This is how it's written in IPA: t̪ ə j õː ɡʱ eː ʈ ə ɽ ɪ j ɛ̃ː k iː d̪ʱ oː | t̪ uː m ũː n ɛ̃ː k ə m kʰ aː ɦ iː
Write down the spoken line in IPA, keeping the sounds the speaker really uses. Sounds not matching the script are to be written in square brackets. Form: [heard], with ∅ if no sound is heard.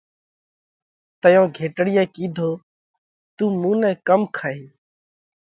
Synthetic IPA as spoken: t̪ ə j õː ɡʱ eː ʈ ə ɽ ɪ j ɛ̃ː k iː d̪ʱ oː | t̪ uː m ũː n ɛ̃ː k ə m kʰ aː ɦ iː